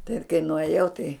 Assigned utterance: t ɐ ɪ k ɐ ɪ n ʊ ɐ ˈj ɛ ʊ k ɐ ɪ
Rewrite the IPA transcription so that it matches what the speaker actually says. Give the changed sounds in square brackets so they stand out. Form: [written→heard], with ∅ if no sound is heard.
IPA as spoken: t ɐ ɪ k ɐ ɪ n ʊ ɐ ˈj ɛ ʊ [k→t] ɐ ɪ